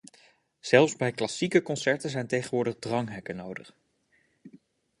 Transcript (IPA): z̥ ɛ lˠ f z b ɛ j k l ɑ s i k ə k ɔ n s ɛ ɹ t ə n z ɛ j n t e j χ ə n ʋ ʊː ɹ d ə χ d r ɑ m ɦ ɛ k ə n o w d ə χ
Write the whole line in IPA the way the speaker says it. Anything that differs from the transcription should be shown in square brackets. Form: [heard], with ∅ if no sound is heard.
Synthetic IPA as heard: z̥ ɛ lˠ f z b ɛ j k l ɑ s i k ə k ɔ n s ɛ ɹ t ə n z ɛ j n t e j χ ə n ʋ ʊː ɹ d ə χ d r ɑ [ŋ] ɦ ɛ k ə n o w d ə χ